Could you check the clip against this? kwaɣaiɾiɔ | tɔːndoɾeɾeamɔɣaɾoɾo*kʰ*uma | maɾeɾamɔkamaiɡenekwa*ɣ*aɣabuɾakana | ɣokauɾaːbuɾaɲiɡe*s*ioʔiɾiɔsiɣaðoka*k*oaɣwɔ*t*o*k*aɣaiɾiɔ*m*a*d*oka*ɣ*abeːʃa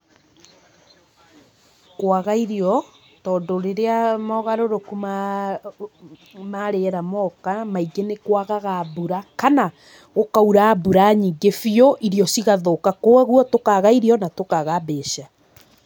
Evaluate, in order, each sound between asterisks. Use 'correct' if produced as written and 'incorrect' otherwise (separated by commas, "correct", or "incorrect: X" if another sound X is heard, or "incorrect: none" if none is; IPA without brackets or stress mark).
incorrect: k, correct, incorrect: f, correct, correct, correct, incorrect: n, incorrect: t, correct